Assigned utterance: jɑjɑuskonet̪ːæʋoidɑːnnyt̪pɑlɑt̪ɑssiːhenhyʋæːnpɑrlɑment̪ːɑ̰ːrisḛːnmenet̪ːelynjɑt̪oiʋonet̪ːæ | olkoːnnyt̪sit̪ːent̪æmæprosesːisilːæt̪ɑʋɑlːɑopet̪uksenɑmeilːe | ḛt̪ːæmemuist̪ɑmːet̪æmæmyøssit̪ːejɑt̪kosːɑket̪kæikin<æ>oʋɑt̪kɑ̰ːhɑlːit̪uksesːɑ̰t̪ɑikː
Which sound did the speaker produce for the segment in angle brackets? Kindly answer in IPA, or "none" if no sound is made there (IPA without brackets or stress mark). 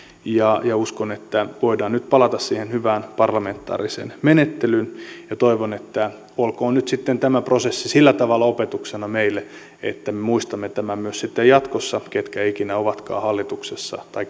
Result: æ